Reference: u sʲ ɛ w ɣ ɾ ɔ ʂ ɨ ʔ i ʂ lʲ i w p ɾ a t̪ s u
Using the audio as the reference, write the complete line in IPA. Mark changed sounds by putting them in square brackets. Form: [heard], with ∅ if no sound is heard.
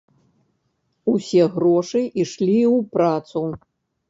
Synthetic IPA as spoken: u sʲ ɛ [∅] ɣ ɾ ɔ ʂ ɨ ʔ i ʂ lʲ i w p ɾ a t̪ s u